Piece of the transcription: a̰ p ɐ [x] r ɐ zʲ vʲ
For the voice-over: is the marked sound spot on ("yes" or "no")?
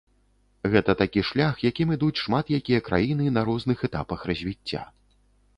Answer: yes